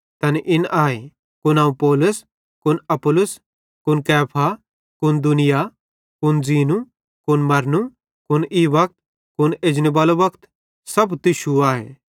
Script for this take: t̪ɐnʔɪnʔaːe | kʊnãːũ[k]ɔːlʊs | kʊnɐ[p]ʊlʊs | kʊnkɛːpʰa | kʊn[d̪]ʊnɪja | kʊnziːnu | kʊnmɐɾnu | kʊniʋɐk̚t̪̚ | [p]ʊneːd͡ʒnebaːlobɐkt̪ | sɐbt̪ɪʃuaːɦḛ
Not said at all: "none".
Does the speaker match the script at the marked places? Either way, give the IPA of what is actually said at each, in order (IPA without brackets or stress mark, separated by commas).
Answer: p, p, d̪, k